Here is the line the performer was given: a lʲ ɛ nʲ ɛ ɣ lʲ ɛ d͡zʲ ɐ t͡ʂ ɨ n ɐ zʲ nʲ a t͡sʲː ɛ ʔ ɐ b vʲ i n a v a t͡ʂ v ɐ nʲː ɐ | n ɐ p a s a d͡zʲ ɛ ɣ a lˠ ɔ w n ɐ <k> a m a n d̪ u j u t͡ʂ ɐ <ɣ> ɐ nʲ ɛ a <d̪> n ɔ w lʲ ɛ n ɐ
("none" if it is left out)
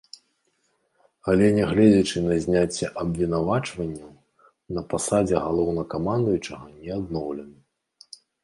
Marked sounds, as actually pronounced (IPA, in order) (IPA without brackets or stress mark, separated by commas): k, ɣ, d̪